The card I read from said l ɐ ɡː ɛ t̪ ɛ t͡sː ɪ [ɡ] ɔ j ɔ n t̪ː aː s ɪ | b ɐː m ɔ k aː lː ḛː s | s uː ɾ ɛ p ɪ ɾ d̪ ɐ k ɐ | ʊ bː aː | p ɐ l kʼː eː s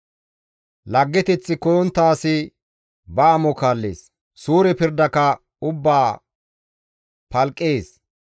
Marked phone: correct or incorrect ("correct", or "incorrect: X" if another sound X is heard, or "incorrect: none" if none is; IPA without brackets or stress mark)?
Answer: incorrect: k